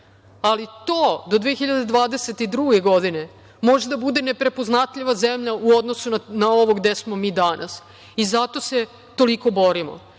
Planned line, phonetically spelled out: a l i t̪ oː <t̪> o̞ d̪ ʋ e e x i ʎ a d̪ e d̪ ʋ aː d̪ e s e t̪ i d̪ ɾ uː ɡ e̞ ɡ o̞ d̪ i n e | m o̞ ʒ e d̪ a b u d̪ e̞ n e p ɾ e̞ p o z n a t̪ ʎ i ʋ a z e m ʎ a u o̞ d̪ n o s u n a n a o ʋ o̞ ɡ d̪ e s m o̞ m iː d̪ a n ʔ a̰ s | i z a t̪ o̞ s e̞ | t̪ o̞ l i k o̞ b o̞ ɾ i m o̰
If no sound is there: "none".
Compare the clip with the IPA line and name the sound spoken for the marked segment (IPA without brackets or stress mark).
d̪